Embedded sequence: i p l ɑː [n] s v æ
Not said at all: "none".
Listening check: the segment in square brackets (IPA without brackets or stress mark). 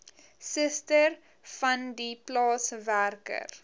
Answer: none